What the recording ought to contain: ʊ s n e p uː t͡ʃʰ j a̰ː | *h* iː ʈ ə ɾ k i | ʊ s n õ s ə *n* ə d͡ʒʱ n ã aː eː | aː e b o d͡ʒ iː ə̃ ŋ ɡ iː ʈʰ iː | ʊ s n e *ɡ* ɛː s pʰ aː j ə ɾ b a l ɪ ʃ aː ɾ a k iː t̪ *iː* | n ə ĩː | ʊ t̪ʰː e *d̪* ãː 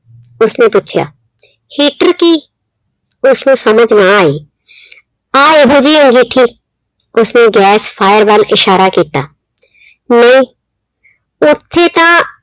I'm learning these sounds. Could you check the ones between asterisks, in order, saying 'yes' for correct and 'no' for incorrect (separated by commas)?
yes, no, yes, no, no